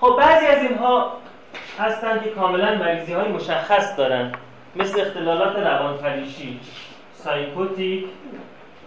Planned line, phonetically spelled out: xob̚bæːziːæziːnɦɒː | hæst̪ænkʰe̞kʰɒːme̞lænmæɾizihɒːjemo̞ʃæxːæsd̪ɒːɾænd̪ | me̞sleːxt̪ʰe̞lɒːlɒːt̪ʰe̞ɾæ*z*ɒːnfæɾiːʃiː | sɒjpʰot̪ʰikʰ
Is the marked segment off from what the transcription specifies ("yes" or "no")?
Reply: yes